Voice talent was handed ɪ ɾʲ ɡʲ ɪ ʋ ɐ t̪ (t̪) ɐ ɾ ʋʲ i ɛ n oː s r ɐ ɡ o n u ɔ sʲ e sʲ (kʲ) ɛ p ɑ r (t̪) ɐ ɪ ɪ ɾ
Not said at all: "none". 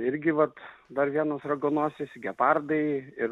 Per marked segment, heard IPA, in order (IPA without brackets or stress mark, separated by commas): d̪, ɡʲ, d̪